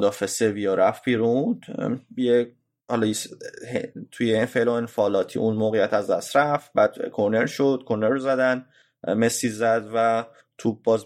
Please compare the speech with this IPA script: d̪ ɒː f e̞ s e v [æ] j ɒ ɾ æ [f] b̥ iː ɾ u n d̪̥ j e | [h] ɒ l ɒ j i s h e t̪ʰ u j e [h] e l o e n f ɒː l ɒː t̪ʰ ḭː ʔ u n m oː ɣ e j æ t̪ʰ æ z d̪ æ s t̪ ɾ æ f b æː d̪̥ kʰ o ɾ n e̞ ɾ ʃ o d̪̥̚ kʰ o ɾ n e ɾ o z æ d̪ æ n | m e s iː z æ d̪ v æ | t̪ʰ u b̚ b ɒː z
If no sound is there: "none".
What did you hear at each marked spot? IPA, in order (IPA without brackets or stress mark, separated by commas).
i, f, h, f